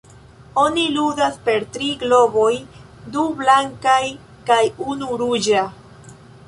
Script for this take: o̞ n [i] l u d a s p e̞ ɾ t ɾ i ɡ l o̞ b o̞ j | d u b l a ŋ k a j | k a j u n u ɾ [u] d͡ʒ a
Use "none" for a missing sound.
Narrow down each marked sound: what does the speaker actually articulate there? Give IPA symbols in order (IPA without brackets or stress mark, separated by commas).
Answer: i, u